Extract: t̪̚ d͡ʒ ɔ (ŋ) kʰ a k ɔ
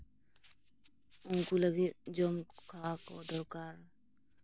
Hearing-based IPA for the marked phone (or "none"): m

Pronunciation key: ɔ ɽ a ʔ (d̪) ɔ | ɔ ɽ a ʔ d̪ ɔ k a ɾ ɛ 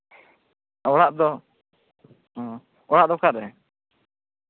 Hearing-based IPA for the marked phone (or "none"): d̪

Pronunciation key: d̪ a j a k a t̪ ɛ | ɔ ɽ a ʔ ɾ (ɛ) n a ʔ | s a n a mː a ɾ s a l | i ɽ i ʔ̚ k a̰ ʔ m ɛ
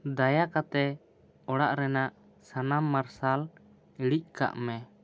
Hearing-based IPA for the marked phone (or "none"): ɛ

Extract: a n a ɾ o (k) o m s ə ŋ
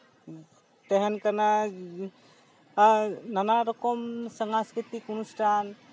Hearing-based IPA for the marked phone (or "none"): k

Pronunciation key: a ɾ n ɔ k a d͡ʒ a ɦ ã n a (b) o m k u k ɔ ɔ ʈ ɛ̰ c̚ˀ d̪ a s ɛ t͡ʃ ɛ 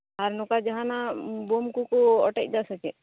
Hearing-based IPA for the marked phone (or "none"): b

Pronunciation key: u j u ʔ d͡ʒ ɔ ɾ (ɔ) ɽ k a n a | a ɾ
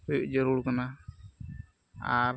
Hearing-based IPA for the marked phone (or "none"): u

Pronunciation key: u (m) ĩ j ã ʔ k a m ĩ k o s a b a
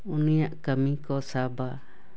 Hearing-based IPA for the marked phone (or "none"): n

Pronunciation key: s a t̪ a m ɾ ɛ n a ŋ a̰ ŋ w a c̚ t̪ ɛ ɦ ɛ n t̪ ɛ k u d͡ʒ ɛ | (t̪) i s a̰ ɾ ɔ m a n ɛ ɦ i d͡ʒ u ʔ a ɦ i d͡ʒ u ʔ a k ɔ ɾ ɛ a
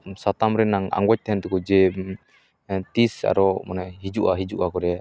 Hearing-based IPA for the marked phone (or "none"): t̪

